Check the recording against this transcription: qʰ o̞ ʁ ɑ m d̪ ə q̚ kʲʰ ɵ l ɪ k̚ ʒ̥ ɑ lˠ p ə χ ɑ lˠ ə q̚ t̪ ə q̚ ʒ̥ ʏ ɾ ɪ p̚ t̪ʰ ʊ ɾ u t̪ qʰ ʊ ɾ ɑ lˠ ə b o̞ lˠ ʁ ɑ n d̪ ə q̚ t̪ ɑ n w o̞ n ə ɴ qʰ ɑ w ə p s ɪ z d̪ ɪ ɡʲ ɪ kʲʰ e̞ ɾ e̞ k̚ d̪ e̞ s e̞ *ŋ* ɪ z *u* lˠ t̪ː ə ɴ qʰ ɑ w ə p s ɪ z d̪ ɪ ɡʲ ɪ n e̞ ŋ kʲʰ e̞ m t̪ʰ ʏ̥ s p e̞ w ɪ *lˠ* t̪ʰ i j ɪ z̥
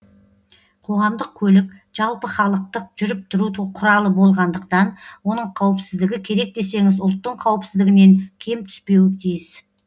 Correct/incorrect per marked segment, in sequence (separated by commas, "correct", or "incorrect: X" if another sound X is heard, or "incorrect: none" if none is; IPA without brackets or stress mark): correct, incorrect: ʊ, incorrect: none